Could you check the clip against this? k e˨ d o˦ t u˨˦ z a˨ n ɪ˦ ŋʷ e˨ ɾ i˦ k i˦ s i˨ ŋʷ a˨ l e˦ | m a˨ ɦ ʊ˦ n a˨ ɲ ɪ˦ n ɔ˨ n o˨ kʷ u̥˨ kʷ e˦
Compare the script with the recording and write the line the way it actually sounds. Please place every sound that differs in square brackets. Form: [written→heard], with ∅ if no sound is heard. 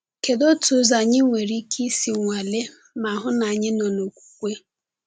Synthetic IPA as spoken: k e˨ d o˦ t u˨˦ z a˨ [n→ɲ] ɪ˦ ŋʷ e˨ ɾ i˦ k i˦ s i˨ ŋʷ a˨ l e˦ | m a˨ ɦ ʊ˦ n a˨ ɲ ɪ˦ n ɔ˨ n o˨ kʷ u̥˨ kʷ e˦